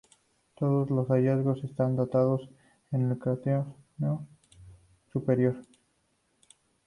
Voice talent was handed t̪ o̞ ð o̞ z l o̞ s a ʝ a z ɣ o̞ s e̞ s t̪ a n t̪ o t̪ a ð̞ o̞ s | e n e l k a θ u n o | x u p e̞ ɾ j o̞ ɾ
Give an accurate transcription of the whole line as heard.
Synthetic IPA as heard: t̪ o̞ ð o̞ z l o̞ s a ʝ a z ɣ o̞ s e̞ s t̪ a n d̪ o t̪ a ð̞ o̞ s | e n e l k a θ o n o | s u p e̞ ɾ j o̞ ɾ